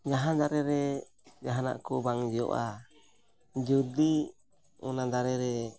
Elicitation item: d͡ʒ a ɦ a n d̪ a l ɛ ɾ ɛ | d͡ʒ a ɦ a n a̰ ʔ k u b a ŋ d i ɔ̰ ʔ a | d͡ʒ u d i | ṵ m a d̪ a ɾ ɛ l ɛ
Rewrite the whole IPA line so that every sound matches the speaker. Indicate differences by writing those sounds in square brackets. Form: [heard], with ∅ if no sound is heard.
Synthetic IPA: d͡ʒ a ɦ a n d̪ a [ɾ] ɛ ɾ ɛ | d͡ʒ a ɦ a n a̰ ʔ k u b a ŋ [d͡ʒ] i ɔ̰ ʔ a | d͡ʒ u d i | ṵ [n] a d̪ a ɾ ɛ [ɾ] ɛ